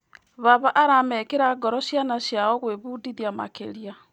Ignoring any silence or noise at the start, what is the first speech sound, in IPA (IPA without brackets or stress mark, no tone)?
β